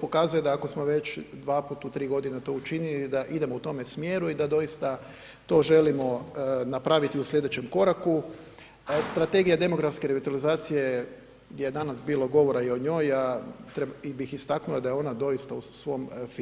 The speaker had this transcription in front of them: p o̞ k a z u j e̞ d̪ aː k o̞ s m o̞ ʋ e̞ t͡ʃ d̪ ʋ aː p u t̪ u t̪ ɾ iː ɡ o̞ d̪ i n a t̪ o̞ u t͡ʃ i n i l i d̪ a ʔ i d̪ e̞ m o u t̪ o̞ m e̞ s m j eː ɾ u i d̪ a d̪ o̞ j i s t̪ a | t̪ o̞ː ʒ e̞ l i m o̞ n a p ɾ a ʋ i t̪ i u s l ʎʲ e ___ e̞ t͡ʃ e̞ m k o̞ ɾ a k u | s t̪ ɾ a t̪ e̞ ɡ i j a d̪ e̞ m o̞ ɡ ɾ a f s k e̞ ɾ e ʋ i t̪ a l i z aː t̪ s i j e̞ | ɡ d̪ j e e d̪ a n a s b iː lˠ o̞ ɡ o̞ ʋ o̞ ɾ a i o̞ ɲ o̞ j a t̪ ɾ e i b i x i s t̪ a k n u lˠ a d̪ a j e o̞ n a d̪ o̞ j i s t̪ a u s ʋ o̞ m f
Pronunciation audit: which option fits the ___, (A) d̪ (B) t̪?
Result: A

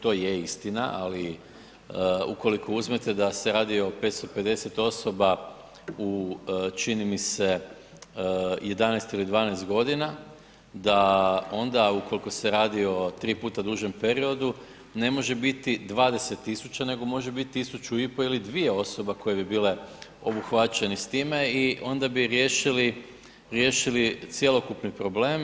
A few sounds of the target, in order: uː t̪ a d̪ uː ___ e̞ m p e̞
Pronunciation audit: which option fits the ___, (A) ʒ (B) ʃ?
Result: A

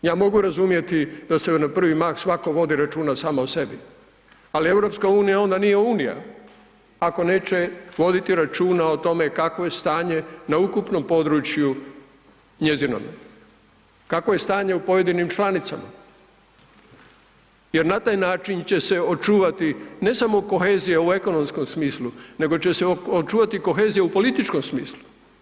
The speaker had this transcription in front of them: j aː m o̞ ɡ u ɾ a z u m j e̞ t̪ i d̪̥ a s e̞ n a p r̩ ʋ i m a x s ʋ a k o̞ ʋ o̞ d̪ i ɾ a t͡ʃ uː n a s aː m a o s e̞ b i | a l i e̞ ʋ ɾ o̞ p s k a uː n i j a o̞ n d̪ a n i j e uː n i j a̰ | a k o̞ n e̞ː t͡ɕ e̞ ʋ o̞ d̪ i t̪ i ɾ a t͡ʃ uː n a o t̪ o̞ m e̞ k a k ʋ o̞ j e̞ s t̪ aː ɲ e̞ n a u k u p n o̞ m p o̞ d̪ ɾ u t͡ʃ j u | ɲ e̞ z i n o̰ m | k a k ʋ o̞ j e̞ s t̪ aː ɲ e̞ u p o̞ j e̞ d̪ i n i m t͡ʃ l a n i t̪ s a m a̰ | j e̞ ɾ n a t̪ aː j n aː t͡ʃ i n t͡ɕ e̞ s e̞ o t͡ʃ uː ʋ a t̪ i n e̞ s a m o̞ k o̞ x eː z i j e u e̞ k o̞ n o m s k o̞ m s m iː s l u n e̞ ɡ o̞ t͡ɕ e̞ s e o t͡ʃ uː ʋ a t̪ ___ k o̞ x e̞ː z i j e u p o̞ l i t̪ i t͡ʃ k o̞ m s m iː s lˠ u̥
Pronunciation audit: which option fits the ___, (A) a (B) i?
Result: B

